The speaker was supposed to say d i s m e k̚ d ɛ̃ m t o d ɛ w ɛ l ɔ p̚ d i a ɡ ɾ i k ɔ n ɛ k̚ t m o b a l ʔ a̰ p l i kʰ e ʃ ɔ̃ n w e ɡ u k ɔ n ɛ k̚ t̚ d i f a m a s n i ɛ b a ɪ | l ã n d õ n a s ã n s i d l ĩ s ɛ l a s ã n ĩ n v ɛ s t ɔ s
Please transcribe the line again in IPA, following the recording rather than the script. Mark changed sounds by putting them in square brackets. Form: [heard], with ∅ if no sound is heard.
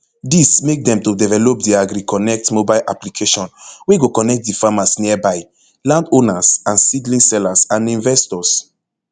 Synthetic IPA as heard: d i s m e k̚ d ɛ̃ m t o d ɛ [v] ɛ l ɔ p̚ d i a ɡ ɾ i k ɔ n ɛ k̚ t m o b a l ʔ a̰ p l i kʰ e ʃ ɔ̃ n w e ɡ [o] k ɔ n ɛ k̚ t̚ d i f a m a s n i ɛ b a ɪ | l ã n d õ n a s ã n s i d l ĩ s ɛ l a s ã n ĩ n v ɛ s t ɔ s